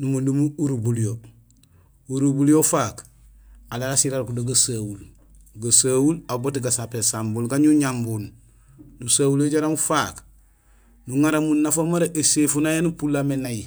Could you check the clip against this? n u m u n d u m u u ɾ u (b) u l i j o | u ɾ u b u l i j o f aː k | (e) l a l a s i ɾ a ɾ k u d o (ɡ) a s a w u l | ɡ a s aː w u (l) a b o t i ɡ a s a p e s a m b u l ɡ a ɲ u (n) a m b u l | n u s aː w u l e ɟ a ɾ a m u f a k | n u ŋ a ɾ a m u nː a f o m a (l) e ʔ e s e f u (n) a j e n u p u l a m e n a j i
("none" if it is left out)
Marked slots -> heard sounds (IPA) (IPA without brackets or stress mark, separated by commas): b, a, ɡ, l, ɲ, ɾ, n